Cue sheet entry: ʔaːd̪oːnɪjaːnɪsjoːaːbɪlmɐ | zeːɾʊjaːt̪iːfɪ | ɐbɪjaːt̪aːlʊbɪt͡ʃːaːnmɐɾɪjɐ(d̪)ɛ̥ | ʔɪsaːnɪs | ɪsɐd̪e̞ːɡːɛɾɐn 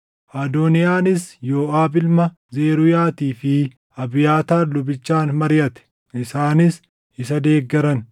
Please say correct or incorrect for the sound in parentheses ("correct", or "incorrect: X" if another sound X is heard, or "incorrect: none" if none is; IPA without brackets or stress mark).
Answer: incorrect: t̪